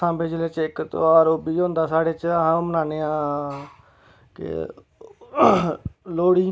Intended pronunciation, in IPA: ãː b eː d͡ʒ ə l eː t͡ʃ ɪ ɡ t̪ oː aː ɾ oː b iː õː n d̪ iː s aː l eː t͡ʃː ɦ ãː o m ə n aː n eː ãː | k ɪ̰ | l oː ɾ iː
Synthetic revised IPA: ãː b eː d͡ʒ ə l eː t͡ʃ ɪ k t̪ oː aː ɾ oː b iː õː n d̪ aː s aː ɽ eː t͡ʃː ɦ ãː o m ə n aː n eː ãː | k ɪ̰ | l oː ɽ iː

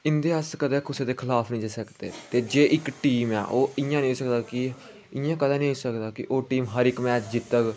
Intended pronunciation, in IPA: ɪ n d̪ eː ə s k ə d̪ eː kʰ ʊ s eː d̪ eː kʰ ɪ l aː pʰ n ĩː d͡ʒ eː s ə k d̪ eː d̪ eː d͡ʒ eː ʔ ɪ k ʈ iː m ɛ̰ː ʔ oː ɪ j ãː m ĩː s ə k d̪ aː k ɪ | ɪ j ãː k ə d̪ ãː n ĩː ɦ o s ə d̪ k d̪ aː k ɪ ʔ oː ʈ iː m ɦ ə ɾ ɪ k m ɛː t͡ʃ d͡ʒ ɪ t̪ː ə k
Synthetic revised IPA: ɪ n d̪ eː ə s k ə d̪ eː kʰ ʊ s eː d̪ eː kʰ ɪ l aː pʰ n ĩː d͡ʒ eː s ə k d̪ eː t̪ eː d͡ʒ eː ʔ ɪ k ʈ iː m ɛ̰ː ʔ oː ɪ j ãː n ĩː s ə k d̪ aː k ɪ | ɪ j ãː k ə d̪ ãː n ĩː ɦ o s ə k d̪ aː k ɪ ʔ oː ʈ iː m ɦ ə ɾ ɪ k m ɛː t͡ʃ d͡ʒ ɪ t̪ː ə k

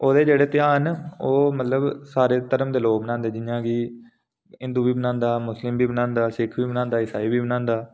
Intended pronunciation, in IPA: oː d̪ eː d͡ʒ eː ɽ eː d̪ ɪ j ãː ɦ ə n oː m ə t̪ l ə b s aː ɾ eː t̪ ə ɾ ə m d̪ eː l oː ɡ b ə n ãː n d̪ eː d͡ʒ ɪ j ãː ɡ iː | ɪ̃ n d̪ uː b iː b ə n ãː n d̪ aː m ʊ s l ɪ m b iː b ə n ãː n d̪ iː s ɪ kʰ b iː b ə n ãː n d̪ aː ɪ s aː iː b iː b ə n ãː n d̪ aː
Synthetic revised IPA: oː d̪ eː d͡ʒ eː ɽ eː t̪ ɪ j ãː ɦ ə n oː m ə t̪ l ə b s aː ɾ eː t̪ ə ɾ ə m d̪ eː l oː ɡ b ə n ãː n d̪ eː d͡ʒ ɪ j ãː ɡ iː | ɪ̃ n d̪ uː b iː b ə n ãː n d̪ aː m ʊ s l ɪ m b iː b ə n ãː n d̪ aː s ɪ kʰ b iː b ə n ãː n d̪ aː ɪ s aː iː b iː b ə n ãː n d̪ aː

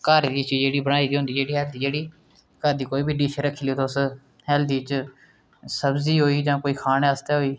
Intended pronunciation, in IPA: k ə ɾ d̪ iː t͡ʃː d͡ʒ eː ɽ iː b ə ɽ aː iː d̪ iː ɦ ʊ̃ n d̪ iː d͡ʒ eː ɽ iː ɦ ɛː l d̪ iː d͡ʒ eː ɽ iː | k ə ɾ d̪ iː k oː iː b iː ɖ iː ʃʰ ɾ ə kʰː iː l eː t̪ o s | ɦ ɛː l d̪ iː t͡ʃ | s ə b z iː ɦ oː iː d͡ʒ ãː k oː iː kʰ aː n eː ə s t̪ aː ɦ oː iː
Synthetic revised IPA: k ə ɾ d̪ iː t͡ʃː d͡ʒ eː ɽ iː b ə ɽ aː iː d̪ iː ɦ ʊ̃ n d̪ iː d͡ʒ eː ɽ iː ɦ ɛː l d̪ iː d͡ʒ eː ɽ iː | k ə ɾ d̪ iː k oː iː b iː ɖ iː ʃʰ ɾ ə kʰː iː l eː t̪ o s | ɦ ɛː l d̪ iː t͡ʃ | s ə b z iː ɦ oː iː d͡ʒ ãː k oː iː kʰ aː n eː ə s t̪ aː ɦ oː iː

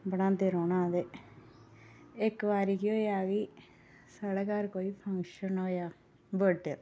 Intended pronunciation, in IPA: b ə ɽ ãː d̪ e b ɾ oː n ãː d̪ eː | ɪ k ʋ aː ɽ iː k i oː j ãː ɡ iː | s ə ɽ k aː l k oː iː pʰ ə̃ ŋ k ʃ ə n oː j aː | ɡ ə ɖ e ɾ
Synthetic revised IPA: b ə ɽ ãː d̪ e ɾ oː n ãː d̪ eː | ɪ k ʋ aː ɾ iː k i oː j aː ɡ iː | s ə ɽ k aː ɾ k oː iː pʰ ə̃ ŋ k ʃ ə n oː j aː | b ə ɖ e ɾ

